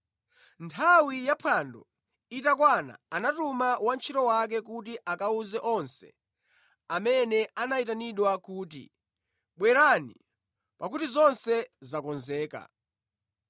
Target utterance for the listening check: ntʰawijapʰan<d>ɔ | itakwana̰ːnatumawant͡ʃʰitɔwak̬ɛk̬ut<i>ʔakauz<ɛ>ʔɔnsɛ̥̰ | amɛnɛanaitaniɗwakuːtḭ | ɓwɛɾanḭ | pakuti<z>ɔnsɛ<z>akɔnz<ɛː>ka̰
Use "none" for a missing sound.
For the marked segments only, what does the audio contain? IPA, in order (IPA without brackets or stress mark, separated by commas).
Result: d, i, ɛ, z, z, ɛː